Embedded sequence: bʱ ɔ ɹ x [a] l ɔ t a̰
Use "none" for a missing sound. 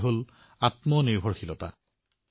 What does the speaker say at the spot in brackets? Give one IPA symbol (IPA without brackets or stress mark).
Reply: i